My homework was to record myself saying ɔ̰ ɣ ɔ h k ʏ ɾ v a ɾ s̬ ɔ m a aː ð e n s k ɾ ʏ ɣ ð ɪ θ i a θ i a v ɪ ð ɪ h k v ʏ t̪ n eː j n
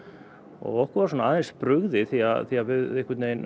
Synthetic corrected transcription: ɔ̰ ɣ ɔ h k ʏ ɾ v a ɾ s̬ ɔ n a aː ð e n s p ɾ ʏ ɣ ð ɪ θ i a θ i a v ɪ ð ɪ h k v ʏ t̪ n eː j n